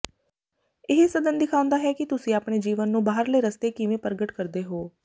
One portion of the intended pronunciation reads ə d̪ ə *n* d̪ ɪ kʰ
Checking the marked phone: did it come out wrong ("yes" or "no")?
no